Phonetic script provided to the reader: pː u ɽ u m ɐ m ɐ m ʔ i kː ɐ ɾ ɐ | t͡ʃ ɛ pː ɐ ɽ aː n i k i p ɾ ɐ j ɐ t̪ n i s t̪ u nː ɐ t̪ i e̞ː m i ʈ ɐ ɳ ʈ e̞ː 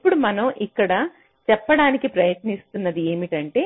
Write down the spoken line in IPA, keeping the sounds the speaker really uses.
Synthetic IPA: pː u ɽ u m ɐ n ɐ m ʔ i kː ɐ ɽ ɐ | t͡ʃ ɛ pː ɐ ɽ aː n i k i p ɾ ɐ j ɐ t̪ n i s t̪ u nː ɐ d̪ i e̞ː m i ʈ ɐ ɳ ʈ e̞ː

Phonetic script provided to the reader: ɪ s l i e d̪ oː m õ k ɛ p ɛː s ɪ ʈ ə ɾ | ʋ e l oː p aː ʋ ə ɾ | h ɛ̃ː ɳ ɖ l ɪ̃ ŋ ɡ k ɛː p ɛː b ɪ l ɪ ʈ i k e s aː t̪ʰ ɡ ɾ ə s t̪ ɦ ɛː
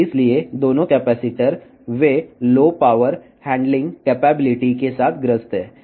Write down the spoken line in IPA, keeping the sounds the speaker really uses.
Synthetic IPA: ɪ s l i e d̪ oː n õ k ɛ p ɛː s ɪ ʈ ə ɾ | ʋ e l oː p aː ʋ ə ɾ | h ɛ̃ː ɳ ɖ l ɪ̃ ŋ ɡ k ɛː p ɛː b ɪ l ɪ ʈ i k e s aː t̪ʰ ɡ ɾ ə s t̪ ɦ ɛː

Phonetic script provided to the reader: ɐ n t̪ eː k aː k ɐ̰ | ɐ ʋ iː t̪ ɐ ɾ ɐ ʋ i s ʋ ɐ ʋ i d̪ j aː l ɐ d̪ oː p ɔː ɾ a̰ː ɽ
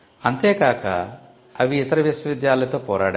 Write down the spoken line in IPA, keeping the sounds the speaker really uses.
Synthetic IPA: ɐ n t̪ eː k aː k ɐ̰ | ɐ ʋ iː t̪ ɐ ɾ ɐ ʋ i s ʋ ɐ ʋ i d̪ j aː l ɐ t̪ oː p ɔː ɾ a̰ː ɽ

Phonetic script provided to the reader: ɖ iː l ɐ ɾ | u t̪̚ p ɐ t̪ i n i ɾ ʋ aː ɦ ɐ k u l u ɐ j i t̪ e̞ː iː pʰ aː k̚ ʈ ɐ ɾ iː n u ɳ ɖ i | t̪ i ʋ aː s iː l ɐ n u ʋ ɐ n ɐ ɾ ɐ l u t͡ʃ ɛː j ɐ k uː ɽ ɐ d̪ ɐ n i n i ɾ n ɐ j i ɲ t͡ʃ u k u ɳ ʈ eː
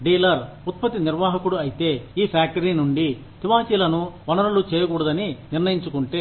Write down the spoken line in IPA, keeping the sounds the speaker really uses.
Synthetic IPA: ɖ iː l ɐ ɾ | u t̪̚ p ɐ t̪ i n i ɾ ʋ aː ɦ ɐ k u ɽ u ɐ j i t̪ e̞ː iː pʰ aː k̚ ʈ ɐ ɾ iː n u ɳ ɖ i | t̪ i ʋ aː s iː l ɐ n u ʋ ɐ n ɐ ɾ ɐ l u t͡ʃ ɛː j ɐ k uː ɽ ɐ d̪ ɐ n i n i ɾ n ɐ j i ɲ t͡ʃ u k u ɳ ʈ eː

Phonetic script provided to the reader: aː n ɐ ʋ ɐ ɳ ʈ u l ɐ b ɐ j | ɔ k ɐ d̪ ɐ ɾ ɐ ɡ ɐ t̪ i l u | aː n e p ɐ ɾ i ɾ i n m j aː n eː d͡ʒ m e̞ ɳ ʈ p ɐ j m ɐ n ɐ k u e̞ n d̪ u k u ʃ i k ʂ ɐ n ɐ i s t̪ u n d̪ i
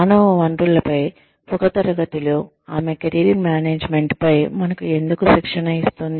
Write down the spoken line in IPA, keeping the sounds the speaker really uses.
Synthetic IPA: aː n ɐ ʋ ɐ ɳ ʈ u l ɐ p ɐ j | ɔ k ɐ t̪ ɐ ɾ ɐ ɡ ɐ t̪ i l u | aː m e k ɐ ɾ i ɾ i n m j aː n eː d͡ʒ m e̞ ɳ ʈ p ɐ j m ɐ n ɐ k u e̞ n d̪ u k u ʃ i k ʂ ɐ n ɐ i s t̪ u n d̪ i

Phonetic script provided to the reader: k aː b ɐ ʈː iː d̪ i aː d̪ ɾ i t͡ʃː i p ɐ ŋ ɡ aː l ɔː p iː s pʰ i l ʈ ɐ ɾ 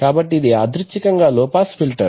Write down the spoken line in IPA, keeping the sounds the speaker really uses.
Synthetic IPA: k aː b ɐ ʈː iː d̪ i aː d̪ ɾ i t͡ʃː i k ɐ ŋ ɡ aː l ɔː p aː s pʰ i l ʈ ɐ ɾ

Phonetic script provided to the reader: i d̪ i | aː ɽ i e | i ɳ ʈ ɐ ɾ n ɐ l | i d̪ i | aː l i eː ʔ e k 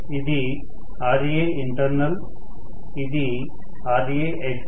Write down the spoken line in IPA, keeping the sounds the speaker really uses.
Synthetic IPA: i d̪ i | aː ɾ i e | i ɳ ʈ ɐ ɾ n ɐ l | i d̪ i | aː ɾ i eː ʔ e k

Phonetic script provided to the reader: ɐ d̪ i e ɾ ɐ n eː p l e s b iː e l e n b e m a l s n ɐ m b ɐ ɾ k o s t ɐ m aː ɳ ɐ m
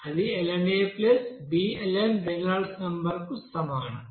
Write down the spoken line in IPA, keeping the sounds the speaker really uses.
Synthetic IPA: ɐ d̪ i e l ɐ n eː p l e s b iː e l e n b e n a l s n ɐ m b ɐ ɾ k u s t ɐ m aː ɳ ɐ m

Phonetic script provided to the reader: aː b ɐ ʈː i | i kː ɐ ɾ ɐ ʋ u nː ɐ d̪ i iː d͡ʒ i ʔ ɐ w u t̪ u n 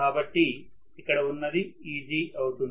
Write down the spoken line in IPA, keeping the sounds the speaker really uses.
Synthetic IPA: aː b ɐ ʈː i | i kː ɐ ɽ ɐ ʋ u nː ɐ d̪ i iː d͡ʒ i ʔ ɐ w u t̪ u n

